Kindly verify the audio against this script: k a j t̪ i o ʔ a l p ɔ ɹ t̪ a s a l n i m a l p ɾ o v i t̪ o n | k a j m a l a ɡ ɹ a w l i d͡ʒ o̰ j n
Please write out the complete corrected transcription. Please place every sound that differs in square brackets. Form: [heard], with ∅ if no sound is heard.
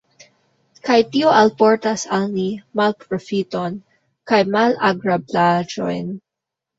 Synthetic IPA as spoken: k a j t̪ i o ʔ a l p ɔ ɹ t̪ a s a l n i m a l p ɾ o [f] i t̪ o n | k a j m a l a ɡ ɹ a [b] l [a] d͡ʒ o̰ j n